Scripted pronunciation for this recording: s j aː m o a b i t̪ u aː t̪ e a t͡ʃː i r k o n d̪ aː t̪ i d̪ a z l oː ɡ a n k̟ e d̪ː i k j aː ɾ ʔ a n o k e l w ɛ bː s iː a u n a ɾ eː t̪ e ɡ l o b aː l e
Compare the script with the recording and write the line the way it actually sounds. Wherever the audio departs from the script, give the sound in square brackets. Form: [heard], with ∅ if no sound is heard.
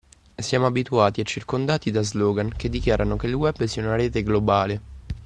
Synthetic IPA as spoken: s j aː m o a b i t̪ u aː t̪ [i] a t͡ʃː i r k o n d̪ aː t̪ i d̪ a z l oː ɡ a n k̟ e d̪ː i k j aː ɾ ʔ a n o k e l w ɛ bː s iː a u n a ɾ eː t̪ e ɡ l o b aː l e